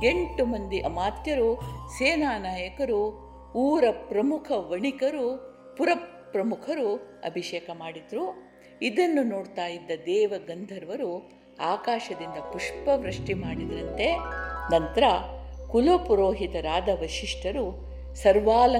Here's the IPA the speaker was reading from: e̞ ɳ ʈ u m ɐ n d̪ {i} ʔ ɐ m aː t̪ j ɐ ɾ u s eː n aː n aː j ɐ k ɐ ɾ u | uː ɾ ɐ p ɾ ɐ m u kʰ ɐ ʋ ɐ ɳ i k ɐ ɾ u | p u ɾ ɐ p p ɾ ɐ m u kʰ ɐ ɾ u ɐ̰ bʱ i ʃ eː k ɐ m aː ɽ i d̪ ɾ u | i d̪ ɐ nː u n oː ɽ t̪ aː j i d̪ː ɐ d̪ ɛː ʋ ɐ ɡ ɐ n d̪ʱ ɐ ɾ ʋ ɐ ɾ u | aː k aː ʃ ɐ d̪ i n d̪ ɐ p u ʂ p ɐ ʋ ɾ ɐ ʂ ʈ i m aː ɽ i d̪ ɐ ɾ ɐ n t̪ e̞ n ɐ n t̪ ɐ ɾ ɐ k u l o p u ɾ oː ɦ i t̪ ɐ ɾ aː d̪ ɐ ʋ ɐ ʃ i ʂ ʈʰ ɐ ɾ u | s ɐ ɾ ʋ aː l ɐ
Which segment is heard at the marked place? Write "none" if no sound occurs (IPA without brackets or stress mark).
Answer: i